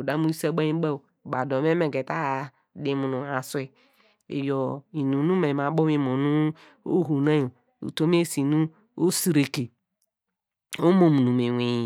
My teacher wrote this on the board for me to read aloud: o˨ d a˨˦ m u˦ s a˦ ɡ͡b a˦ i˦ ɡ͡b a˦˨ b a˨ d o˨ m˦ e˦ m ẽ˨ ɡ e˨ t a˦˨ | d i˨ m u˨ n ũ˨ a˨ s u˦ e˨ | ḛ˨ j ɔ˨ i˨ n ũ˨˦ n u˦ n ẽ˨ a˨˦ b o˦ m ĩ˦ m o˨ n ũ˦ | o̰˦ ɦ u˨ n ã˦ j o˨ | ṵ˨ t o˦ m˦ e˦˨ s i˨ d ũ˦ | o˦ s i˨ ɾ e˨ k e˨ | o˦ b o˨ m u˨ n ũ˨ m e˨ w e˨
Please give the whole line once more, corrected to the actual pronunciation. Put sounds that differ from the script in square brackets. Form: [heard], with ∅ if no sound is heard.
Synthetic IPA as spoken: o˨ d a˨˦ m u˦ s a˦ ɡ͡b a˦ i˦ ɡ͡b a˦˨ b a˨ d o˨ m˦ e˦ m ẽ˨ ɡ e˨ t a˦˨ | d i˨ m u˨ n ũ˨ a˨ s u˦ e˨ | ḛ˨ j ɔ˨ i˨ n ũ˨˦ n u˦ [m] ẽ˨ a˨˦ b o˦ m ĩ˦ m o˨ n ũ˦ | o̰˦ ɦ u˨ n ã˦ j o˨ | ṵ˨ t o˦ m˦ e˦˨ s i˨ [n] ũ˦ | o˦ s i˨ ɾ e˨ k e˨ | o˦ [m] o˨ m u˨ n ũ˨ m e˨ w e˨